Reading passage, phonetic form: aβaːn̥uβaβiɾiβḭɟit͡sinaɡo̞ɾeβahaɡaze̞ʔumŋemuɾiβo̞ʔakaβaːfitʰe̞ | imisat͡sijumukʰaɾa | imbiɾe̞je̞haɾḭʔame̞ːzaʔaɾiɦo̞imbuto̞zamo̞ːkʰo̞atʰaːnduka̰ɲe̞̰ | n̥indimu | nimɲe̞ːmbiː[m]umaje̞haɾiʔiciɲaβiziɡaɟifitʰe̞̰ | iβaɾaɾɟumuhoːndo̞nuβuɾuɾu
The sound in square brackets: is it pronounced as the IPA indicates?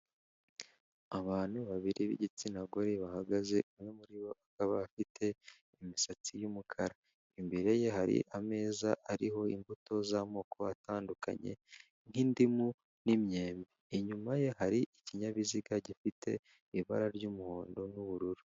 no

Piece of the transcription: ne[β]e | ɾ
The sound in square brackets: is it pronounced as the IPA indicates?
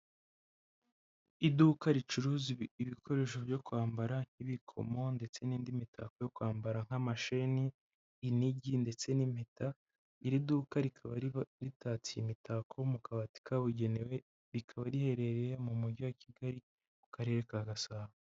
no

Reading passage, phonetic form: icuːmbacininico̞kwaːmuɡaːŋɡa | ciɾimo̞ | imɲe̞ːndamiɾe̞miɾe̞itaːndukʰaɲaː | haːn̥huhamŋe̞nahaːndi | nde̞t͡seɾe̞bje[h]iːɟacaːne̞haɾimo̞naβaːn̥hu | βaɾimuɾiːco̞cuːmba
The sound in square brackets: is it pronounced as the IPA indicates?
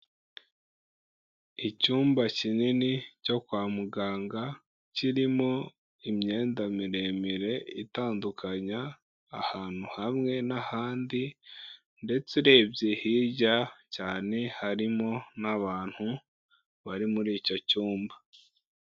yes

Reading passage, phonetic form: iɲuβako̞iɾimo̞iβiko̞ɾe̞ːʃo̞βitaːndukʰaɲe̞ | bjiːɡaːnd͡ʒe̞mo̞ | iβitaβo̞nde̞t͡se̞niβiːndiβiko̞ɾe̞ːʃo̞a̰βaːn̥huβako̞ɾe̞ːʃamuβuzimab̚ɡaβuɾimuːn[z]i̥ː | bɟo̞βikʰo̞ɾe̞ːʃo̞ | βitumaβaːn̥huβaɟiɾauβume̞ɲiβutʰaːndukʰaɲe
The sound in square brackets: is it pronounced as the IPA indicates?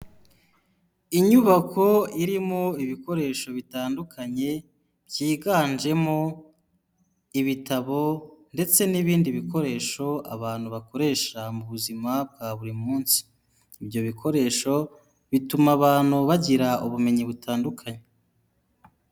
no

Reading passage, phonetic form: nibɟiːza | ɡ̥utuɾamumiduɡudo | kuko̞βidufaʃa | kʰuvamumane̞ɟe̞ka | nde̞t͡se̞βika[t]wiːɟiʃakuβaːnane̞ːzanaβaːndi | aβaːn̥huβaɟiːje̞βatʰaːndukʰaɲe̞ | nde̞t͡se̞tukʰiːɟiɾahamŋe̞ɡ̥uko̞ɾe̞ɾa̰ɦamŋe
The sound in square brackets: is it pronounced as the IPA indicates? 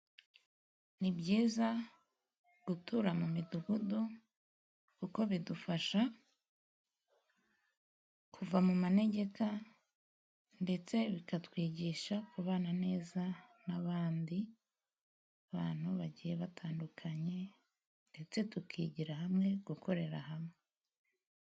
yes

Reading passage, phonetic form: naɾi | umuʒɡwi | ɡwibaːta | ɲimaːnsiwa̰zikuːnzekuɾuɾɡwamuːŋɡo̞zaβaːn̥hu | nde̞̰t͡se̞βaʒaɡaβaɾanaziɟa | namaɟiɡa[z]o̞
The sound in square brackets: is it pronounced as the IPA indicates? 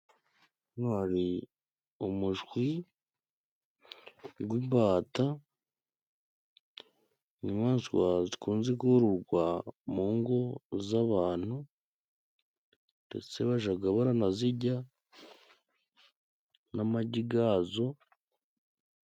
yes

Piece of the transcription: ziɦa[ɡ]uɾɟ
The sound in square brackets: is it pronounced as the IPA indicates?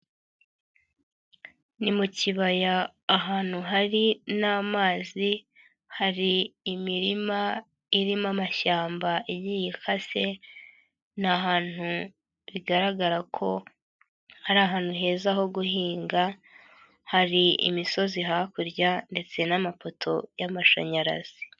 no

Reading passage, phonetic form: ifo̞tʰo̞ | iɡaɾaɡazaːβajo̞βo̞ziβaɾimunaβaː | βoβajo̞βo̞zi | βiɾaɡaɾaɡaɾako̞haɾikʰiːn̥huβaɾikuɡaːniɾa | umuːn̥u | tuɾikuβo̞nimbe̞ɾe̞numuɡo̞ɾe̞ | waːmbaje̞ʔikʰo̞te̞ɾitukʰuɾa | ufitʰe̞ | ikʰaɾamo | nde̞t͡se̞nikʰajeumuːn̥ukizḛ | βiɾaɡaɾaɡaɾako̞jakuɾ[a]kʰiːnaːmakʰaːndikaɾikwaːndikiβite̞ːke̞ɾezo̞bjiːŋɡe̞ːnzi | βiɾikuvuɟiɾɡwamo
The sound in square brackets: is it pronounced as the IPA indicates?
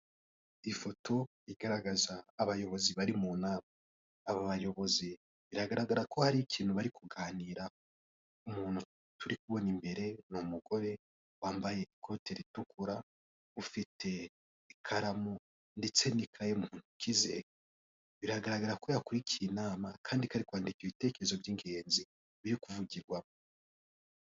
no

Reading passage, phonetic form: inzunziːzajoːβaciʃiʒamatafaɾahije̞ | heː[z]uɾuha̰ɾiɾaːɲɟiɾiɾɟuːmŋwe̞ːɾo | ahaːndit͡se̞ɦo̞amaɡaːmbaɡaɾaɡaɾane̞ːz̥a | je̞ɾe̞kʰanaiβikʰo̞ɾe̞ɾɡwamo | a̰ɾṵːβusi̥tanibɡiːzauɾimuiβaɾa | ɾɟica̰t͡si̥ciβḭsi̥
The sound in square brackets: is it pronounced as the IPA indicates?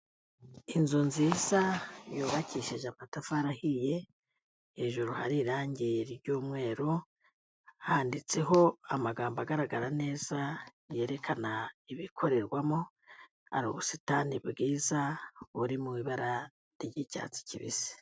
no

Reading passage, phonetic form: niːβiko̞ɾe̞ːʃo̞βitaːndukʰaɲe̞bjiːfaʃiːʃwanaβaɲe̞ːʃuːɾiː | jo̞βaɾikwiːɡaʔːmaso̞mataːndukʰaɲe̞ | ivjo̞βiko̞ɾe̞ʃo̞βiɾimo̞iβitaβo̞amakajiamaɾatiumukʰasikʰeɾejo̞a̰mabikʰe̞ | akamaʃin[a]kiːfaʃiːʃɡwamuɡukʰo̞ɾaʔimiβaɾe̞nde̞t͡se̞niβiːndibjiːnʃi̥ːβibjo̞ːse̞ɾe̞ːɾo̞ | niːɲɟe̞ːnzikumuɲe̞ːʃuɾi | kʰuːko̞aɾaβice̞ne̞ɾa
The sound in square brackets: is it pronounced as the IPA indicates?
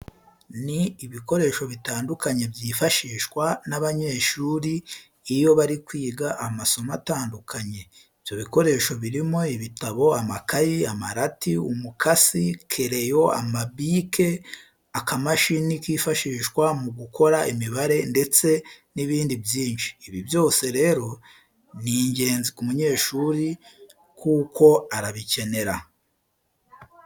no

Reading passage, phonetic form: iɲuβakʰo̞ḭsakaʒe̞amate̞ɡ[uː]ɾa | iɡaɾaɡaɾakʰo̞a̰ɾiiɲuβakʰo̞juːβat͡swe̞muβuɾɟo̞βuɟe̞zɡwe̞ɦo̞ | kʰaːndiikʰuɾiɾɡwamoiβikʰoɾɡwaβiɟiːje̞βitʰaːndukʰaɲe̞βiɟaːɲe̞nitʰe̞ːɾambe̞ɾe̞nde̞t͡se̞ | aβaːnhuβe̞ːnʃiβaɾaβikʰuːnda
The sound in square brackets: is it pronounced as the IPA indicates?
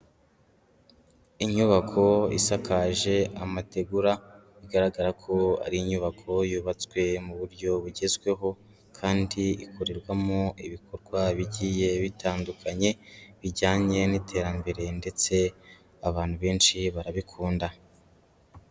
no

